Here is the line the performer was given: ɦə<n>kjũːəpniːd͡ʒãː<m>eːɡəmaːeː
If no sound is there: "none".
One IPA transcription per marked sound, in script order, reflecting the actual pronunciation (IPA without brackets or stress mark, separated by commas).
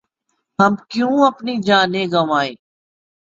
m, n